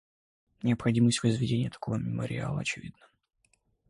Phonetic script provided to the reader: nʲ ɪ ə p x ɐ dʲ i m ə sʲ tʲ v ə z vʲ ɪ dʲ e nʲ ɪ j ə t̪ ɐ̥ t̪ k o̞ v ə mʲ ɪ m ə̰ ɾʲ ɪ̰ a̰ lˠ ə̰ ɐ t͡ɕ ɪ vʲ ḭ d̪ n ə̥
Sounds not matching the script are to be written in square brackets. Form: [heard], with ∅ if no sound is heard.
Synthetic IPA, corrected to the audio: nʲ ɪ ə p x ɐ dʲ i m ə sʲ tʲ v ə z vʲ ɪ dʲ e nʲ ɪ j ə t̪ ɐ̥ [∅] k o̞ v ə mʲ ɪ m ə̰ ɾʲ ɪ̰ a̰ lˠ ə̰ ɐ t͡ɕ ɪ vʲ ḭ d̪ n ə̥